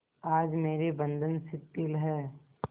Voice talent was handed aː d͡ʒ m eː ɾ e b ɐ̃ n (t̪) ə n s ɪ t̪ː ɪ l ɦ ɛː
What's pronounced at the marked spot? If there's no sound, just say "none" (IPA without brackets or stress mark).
d̪